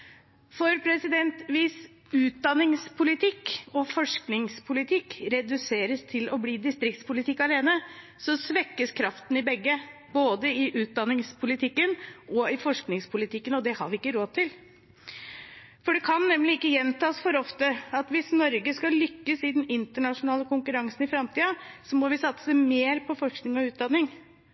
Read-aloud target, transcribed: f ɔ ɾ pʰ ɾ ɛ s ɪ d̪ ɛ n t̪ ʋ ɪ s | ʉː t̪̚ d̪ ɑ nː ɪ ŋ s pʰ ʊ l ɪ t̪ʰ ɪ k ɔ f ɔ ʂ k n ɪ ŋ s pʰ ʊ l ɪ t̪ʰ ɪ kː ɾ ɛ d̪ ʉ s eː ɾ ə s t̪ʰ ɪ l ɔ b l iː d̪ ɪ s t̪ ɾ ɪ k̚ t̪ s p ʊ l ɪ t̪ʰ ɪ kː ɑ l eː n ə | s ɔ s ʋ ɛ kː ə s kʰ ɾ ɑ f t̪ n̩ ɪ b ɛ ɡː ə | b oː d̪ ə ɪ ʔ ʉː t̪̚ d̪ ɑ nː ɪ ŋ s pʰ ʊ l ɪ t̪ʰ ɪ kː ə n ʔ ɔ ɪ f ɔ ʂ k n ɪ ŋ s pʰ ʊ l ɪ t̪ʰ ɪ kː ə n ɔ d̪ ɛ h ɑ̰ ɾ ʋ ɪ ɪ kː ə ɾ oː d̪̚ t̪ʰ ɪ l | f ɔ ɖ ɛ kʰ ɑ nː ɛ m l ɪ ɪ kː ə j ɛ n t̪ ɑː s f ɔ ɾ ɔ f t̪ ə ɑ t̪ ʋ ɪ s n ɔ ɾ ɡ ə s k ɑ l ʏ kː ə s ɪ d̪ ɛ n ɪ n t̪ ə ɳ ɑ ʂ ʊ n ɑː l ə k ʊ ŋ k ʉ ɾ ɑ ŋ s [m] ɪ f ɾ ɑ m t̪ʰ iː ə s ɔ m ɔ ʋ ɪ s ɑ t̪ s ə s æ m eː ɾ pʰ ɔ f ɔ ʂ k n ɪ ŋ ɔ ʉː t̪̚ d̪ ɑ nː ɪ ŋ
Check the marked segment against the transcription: incorrect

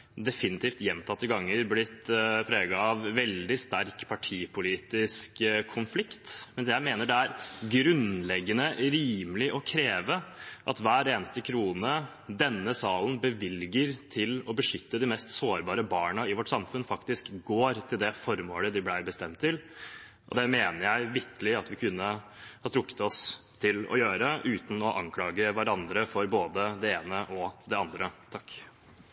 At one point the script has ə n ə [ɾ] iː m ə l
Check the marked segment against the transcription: correct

